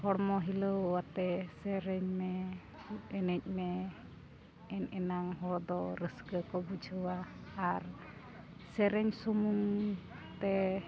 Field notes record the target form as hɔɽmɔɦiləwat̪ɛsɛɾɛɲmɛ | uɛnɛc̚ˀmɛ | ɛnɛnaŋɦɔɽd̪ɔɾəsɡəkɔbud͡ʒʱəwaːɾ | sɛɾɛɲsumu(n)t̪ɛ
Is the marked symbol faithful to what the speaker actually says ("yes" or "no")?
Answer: no